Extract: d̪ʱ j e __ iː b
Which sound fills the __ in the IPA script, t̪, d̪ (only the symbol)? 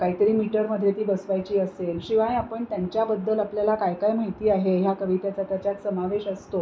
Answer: t̪